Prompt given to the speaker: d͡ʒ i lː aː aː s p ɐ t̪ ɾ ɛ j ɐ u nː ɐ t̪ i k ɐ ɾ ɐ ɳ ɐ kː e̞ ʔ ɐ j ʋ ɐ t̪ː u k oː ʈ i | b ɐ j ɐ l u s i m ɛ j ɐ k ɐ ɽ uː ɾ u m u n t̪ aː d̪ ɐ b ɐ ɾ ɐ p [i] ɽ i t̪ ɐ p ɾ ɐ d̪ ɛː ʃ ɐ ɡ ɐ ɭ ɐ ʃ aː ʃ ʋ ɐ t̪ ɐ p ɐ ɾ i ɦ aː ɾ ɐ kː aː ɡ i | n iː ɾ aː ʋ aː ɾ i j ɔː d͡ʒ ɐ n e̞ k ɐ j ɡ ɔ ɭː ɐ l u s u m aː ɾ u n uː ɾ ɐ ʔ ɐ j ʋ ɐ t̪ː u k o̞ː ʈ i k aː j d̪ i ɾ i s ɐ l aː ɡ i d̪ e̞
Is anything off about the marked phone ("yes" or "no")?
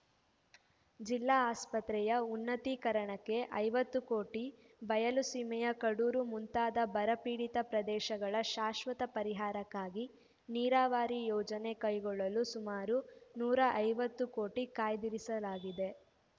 yes